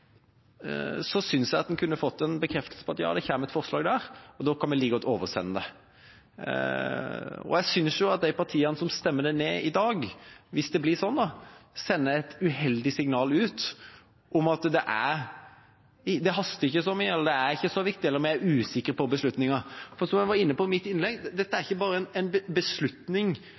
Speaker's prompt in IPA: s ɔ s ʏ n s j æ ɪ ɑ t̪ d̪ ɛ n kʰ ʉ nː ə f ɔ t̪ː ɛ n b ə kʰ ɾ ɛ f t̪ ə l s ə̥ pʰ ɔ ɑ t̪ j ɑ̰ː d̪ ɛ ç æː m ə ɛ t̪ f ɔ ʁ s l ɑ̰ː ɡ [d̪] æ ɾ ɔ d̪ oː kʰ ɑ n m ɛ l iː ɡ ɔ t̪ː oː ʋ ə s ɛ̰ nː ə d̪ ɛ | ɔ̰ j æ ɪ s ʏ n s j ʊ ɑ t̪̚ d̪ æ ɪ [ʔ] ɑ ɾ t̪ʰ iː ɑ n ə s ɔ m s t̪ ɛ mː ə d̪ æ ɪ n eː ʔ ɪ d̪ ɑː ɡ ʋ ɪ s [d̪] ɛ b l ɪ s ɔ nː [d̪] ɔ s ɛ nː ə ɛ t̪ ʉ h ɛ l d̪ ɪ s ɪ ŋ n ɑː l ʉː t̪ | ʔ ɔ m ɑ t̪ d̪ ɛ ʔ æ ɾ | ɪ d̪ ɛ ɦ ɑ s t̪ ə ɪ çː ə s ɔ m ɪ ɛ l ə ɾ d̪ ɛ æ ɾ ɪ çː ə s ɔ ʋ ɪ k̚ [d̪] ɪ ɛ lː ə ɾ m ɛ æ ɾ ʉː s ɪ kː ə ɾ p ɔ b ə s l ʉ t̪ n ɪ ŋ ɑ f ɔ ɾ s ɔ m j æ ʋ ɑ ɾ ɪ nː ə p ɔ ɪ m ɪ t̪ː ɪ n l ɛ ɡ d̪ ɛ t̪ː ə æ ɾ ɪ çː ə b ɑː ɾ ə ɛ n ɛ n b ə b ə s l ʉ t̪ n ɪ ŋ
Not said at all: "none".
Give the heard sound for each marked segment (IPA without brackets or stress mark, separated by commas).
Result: d̪, p, d̪, d̪, t̪